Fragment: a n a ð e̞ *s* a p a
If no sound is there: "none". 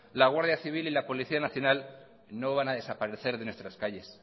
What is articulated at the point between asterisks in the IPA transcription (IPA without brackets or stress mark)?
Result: s